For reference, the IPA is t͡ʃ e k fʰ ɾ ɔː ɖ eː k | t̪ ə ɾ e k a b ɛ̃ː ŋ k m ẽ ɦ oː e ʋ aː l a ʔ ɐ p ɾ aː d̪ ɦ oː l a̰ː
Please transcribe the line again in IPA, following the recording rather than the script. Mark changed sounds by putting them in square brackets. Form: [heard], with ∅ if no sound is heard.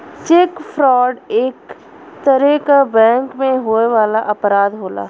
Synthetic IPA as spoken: t͡ʃ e k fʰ ɾ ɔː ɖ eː k | t̪ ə ɾ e k a b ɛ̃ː ŋ k m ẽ ɦ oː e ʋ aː l a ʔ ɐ p ɾ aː d̪ ɦ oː l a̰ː